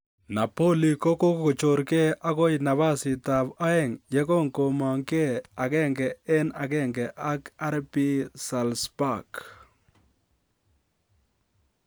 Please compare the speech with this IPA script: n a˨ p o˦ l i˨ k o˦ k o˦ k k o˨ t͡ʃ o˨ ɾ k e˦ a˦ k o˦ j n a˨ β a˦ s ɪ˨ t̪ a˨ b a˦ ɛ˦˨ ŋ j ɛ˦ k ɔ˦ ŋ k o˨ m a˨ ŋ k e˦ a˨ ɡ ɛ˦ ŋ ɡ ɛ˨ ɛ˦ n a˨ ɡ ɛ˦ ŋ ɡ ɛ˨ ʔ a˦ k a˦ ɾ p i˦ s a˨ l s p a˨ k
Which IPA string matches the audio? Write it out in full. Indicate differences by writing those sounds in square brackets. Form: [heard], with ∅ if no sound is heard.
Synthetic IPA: n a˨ p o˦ l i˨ k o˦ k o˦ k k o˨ t͡ʃ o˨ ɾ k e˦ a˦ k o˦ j n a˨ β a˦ s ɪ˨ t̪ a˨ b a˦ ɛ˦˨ ŋ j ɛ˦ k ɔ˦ ŋ k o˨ m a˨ ŋ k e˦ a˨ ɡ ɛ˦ ŋ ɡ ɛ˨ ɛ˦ n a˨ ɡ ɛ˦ ŋ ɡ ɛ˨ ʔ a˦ k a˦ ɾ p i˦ s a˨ l s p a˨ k